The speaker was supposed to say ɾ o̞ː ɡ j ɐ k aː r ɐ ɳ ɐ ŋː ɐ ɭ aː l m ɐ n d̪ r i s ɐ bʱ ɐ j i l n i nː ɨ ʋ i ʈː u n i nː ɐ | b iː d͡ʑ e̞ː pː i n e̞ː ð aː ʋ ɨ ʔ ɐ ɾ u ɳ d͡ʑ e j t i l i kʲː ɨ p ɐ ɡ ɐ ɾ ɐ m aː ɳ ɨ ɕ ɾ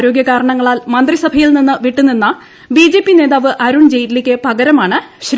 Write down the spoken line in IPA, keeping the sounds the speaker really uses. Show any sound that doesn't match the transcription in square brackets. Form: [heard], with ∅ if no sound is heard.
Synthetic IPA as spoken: ɾ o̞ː ɡ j ɐ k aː [ɾ] ɐ ɳ ɐ ŋː ɐ ɭ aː l m ɐ n d̪ r i s ɐ bʱ ɐ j i l n i nː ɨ ʋ i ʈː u n i nː ɐ | b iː d͡ʑ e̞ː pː i n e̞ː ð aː ʋ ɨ ʔ ɐ ɾ u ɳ d͡ʑ e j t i l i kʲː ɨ p ɐ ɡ ɐ ɾ ɐ m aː ɳ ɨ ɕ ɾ